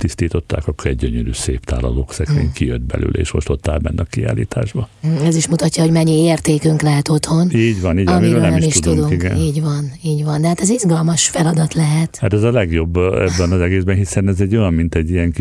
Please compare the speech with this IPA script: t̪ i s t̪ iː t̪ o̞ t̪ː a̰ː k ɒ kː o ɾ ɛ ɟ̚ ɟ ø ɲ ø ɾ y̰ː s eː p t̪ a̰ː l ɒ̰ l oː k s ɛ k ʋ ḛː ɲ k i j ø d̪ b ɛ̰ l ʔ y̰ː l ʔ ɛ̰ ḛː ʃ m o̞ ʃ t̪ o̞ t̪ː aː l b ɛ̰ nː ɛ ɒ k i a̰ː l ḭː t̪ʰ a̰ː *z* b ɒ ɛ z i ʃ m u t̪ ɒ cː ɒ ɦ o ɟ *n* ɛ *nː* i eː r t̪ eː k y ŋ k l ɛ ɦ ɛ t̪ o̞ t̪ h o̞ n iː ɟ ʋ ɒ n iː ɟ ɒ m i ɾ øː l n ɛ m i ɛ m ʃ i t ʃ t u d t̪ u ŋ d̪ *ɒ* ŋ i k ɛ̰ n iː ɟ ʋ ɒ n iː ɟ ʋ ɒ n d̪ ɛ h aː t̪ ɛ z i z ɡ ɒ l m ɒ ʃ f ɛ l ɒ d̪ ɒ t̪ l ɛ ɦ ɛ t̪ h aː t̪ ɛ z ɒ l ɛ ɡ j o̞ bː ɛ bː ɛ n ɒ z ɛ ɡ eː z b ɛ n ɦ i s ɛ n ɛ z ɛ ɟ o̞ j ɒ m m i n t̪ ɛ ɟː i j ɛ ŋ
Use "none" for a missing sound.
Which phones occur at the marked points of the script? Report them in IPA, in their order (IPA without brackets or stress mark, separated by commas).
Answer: ʒ, m, ɲː, u